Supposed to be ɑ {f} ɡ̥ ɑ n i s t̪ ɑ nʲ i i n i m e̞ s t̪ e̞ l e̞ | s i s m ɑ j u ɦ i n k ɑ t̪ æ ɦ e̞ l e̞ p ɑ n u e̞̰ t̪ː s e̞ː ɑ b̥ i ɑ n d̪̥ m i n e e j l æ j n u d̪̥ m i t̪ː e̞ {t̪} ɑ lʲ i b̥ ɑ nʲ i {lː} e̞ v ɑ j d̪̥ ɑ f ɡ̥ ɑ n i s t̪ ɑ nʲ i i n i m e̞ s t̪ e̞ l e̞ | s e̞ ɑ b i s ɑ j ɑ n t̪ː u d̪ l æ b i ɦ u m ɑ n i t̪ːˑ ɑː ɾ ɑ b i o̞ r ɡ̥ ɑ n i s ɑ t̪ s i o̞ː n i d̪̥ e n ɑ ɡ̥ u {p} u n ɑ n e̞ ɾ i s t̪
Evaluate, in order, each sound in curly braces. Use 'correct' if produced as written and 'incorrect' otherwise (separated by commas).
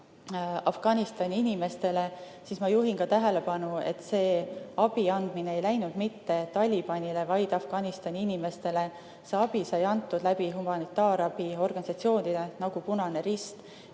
correct, correct, incorrect, correct